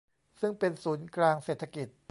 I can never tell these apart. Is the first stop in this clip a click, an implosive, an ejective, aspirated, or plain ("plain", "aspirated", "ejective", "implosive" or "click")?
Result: plain